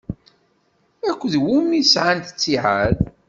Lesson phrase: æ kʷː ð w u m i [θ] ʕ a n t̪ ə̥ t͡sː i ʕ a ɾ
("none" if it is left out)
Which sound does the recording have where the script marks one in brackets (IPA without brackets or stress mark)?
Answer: s